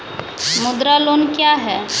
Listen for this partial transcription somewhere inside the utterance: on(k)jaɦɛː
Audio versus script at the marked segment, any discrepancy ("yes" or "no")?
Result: no